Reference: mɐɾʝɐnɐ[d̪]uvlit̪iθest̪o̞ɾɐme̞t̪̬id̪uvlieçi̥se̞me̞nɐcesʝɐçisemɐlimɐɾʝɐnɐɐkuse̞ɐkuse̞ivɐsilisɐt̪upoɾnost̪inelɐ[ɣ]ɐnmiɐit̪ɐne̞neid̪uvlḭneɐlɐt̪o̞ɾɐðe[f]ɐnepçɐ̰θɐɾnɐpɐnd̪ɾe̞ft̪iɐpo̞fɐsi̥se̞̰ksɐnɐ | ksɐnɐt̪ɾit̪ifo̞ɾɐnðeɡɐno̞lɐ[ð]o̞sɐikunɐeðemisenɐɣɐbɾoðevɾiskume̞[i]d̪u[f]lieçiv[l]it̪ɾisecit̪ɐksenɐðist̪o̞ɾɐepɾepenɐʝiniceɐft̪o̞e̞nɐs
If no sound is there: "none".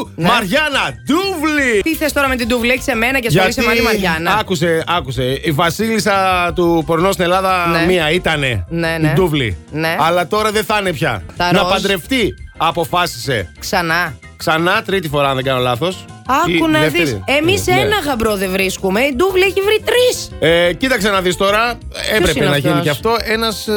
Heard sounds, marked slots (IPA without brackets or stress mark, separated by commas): d̪, ð, θ, θ, i, v, ɾ